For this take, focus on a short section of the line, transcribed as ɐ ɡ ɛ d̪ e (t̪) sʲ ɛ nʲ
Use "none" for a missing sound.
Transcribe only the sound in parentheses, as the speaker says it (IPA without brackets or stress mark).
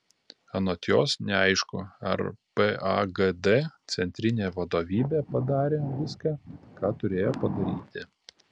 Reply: t̪